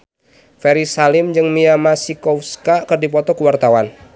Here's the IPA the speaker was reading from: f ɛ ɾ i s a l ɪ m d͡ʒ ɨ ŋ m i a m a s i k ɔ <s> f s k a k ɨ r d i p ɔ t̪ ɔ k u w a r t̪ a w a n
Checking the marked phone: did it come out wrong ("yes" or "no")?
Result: yes